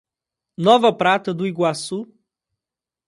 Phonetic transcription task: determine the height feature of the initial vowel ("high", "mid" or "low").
mid